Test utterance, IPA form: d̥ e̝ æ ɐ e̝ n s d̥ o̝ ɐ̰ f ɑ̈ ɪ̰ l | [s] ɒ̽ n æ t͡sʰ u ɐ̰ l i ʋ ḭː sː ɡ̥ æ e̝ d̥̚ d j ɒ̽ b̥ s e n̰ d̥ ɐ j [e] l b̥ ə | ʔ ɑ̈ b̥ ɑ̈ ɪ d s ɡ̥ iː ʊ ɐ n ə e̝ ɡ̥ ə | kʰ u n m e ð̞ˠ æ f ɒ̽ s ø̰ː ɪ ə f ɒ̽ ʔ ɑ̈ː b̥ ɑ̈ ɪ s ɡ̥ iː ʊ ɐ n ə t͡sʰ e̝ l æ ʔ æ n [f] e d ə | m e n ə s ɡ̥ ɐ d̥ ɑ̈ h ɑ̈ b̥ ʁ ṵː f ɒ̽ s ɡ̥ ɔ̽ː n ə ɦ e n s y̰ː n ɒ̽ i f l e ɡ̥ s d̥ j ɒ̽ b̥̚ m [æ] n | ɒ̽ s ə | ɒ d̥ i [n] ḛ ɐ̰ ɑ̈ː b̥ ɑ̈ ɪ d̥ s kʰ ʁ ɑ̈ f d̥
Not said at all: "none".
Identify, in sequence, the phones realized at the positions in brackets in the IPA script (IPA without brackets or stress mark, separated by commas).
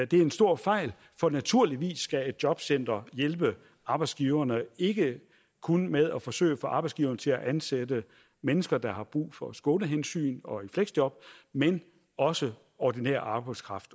f, e, s, e, n